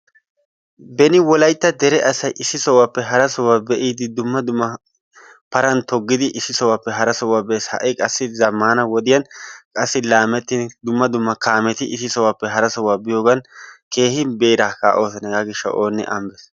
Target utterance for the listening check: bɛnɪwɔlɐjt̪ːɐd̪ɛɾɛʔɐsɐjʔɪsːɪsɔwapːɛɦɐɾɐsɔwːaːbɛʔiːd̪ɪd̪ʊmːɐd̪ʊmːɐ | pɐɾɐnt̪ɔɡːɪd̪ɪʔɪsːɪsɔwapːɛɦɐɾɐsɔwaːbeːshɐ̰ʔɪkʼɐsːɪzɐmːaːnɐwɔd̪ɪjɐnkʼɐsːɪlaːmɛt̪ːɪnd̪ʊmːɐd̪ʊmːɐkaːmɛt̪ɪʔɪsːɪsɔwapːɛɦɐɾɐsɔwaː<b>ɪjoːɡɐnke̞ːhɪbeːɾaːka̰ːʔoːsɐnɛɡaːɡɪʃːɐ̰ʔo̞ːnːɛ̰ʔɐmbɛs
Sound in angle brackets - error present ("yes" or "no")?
no